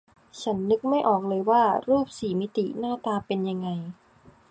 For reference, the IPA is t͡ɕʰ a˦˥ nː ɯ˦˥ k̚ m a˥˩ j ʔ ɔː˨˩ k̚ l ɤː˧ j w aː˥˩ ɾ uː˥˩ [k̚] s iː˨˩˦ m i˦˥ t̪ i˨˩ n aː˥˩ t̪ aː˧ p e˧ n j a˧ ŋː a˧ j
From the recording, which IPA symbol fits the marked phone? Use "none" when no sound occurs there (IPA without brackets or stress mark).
p̚